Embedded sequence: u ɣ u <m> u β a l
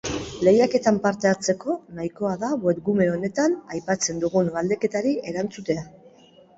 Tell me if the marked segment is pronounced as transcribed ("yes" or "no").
no